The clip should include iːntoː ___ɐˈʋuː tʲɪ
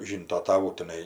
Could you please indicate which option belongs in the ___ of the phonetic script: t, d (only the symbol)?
t